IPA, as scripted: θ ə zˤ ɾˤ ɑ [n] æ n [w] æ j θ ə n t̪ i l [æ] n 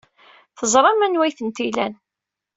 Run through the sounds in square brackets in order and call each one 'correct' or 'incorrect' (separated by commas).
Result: incorrect, correct, correct